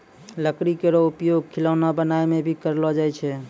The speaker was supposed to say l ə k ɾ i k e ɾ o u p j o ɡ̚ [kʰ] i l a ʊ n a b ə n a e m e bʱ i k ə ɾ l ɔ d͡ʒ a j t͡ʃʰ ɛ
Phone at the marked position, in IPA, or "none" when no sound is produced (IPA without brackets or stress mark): kʰ